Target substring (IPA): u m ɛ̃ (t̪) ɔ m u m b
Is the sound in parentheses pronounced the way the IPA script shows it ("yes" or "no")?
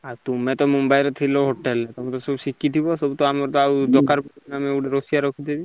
yes